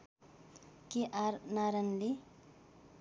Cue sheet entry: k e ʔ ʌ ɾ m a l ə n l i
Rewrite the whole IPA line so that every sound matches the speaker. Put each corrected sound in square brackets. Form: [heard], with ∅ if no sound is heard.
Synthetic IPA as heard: k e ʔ [a] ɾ [n] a [ɾ] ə n l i